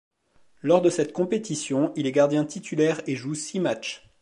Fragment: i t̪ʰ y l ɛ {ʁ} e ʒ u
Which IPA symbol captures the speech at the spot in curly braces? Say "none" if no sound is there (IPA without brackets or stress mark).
ʁ